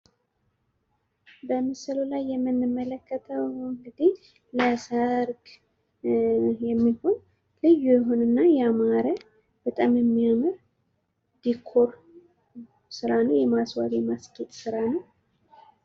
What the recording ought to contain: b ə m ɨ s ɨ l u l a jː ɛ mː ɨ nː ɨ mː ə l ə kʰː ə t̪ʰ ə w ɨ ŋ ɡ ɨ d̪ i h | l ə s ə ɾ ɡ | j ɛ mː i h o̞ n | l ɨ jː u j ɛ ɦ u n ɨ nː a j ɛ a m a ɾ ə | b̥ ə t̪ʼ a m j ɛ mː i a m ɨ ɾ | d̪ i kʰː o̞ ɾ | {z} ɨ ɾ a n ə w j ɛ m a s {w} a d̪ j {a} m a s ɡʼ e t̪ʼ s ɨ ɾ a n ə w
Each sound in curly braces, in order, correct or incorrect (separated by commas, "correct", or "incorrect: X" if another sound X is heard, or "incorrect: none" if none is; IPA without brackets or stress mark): incorrect: s, correct, incorrect: ɛ